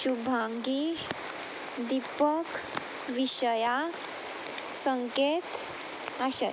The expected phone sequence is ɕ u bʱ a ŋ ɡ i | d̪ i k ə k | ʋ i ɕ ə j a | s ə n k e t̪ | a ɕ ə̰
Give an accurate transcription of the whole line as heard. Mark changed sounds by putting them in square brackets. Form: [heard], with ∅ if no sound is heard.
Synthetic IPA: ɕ u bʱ a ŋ ɡ i | d̪ i [p] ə k | ʋ i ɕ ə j a | s ə [ŋ] k e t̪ | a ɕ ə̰